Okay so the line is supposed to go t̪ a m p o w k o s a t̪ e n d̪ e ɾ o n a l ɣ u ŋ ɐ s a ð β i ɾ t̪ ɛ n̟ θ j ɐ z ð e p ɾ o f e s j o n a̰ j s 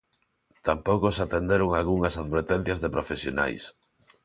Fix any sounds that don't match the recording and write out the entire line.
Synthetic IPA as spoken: t̪ a m p o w k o s a t̪ e n d̪ e ɾ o ŋ a l ɣ u ŋ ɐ s a ð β e ɾ t̪ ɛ n̟ θ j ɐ z ð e p ɾ o f e s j o n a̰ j s